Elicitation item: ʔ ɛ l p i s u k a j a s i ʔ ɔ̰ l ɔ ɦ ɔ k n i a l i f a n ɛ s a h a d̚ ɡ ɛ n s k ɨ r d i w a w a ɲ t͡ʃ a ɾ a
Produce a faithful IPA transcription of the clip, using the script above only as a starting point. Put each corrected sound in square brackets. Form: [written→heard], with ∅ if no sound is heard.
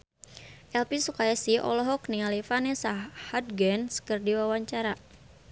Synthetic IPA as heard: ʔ ɛ l p i s u k a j a s i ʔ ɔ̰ l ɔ ɦ ɔ k n i a l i f a n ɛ s a h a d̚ ɡ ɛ n s k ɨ r d i w a w a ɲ t͡ʃ a ɾ a

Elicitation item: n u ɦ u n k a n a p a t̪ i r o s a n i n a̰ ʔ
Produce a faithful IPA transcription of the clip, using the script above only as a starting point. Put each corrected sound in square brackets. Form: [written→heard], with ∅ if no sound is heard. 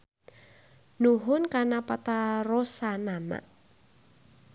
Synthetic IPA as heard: n u ɦ [u→ʊ] n k a n a p a t̪ [i→a] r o s a n [i→a] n a̰ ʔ

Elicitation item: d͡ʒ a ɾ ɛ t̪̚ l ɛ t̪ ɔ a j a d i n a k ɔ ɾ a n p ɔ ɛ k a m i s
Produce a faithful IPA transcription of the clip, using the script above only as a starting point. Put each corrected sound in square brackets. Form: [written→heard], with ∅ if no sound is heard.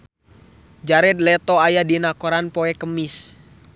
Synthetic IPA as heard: d͡ʒ a ɾ ɛ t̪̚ l ɛ t̪ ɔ a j a d i n a k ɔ ɾ a n p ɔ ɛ k [a→ə] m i s

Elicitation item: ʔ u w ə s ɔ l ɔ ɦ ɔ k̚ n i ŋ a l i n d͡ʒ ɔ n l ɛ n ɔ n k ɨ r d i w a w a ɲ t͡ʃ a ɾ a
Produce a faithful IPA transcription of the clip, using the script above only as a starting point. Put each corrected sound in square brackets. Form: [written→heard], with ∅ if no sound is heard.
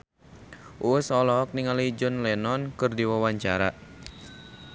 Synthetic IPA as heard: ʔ u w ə s ɔ l ɔ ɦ ɔ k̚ n i ŋ a l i [n→∅] d͡ʒ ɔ n l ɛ n ɔ n k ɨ r d i w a w a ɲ t͡ʃ a ɾ a

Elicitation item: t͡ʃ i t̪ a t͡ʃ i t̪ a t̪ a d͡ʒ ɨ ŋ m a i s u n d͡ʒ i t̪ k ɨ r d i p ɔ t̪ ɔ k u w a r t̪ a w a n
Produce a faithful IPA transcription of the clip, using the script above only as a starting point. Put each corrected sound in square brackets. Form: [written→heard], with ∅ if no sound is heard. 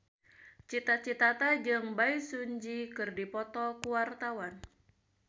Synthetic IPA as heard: t͡ʃ i t̪ a t͡ʃ i t̪ a t̪ a d͡ʒ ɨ ŋ [m→b] a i s u [n→ɲ] d͡ʒ i [t̪→∅] k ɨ r d i p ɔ t̪ ɔ k u w a r t̪ a w a n

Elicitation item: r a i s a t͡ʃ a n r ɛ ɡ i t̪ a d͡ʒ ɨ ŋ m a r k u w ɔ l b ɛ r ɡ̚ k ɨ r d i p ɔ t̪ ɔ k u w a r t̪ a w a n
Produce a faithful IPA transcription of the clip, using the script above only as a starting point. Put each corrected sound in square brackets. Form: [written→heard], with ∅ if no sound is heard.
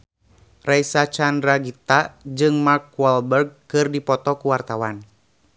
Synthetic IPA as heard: r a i s a t͡ʃ a n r [ɛ→a] ɡ i t̪ a d͡ʒ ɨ ŋ m a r k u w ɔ l b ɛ r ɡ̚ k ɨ r d i p ɔ t̪ ɔ k u w a r t̪ a w a n

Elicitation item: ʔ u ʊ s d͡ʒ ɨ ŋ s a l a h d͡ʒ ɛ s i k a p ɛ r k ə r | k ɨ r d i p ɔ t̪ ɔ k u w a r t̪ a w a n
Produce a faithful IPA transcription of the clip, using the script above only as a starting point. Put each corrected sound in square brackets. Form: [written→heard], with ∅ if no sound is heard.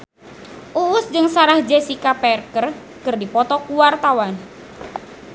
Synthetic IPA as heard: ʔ u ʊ s d͡ʒ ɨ ŋ s a [l→ɾ] a h d͡ʒ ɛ s i k a p ɛ r k ə r | k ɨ r d i p ɔ t̪ ɔ k u w a r t̪ a w a n

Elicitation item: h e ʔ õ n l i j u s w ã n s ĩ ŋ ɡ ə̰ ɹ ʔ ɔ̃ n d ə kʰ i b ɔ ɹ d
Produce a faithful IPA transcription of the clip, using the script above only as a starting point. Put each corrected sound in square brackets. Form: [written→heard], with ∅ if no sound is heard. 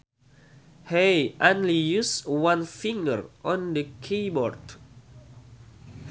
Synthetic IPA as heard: h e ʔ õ n l i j u s w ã n [s→f] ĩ ŋ ɡ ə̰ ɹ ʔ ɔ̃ n d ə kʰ i b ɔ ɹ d

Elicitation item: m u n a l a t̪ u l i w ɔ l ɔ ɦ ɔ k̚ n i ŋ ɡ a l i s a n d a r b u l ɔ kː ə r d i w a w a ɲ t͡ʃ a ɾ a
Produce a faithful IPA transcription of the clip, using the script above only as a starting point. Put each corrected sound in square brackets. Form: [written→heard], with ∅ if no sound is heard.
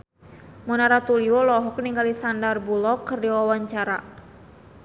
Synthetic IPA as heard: m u n a [l→ɾ] a t̪ u l i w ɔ l ɔ ɦ ɔ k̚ n i ŋ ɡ a l i s a n d a r b u l ɔ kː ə r d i w a w a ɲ t͡ʃ a ɾ a

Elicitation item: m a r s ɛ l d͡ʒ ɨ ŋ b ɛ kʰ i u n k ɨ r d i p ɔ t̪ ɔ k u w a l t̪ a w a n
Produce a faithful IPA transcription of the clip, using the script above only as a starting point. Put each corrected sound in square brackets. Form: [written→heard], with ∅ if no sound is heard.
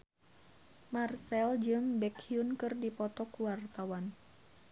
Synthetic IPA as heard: m a r s ɛ l d͡ʒ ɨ ŋ b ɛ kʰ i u n k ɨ r d i p ɔ t̪ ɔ k u w a [l→r] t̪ a w a n

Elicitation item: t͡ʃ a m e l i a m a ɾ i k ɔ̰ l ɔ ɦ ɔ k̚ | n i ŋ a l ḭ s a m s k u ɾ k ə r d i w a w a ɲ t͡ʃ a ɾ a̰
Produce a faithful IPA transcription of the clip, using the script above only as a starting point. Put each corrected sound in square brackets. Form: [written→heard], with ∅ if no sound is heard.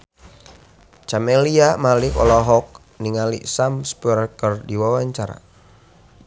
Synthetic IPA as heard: t͡ʃ a m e l i a m a [ɾ→l] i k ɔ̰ l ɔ ɦ ɔ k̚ | n i ŋ a l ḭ s a m s [k→p] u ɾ k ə r d i w a w a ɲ t͡ʃ a ɾ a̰

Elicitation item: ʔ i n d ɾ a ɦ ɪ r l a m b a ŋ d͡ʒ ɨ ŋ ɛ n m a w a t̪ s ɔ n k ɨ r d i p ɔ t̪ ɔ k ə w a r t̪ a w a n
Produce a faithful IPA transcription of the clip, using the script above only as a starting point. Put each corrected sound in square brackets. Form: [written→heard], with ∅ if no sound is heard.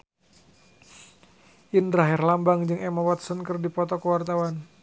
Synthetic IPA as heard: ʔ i n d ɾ a ɦ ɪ r l a m b a ŋ d͡ʒ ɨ ŋ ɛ [n→∅] m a w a t̪ s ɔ n k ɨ r d i p ɔ t̪ ɔ k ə w a r t̪ a w a n

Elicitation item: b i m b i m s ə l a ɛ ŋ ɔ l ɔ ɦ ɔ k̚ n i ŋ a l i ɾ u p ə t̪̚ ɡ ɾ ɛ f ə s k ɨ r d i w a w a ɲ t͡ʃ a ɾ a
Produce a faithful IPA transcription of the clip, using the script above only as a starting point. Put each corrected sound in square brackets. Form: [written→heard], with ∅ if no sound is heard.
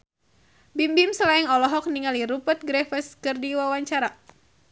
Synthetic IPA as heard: b i m b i m s ə l a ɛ ŋ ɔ l ɔ ɦ ɔ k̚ n i ŋ a l i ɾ u p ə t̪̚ ɡ ɾ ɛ f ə s k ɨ r d i w a w a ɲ t͡ʃ a ɾ a

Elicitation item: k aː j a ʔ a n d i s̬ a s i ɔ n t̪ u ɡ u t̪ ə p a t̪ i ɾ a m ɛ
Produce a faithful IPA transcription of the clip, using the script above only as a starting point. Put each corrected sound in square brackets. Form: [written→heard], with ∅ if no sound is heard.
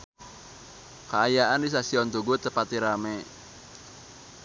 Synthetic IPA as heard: k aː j a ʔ a n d i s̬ a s i ɔ n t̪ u ɡ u t̪ ə p a t̪ i ɾ a m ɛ

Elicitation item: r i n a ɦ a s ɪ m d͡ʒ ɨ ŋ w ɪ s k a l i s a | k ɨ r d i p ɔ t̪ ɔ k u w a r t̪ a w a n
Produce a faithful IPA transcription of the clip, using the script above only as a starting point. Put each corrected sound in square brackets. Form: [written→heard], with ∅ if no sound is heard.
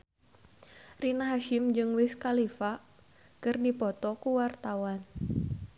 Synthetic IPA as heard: r i n a ɦ a [s→ʃ] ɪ m d͡ʒ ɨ ŋ w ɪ s k a l i [s→f] a | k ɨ r d i p ɔ t̪ ɔ k u w a r t̪ a w a n

